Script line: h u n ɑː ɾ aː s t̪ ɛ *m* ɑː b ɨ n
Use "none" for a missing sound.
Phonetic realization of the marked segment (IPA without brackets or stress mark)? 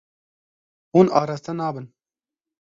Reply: n